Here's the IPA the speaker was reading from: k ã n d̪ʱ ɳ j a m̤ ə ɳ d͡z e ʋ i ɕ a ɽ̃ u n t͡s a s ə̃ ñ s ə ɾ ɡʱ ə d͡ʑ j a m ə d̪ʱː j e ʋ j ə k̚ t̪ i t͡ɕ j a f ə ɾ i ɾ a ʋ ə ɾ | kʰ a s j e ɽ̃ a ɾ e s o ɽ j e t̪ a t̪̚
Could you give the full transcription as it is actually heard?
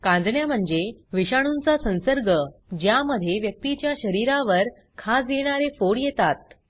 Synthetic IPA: k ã n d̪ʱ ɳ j a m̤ ə ɳ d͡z e ʋ i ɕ a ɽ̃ u n t͡s a s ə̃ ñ s ə ɾ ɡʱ ə d͡ʑ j a m ə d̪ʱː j e ʋ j ə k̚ t̪ i t͡ɕ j a ɕ ə ɾ i ɾ a ʋ ə ɾ | kʰ a s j e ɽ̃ a ɾ e f o ɽ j e t̪ a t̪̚